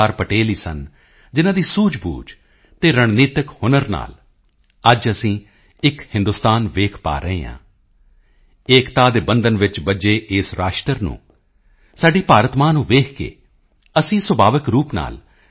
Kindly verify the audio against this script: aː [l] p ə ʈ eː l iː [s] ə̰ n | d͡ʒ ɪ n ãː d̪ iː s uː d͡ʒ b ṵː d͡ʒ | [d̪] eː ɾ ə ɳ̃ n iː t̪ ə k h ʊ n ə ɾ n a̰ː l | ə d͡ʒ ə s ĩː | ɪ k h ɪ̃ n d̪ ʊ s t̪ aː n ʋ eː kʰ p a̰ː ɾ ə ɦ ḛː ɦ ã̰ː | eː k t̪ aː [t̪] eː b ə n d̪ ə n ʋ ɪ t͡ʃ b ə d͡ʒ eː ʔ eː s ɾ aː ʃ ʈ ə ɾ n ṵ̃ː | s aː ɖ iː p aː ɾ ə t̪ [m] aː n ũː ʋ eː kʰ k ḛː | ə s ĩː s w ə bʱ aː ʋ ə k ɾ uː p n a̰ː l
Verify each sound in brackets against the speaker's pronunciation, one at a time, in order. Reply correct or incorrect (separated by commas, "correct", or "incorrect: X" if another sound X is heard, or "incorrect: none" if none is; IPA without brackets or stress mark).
incorrect: ɾ, correct, incorrect: t̪, incorrect: d̪, correct